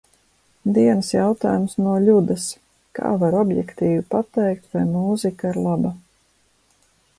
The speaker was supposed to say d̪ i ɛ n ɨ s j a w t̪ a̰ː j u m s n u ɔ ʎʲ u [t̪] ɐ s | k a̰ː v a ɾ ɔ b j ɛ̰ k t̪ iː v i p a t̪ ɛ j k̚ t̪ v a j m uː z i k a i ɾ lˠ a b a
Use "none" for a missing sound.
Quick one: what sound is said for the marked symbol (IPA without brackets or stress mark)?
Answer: d̪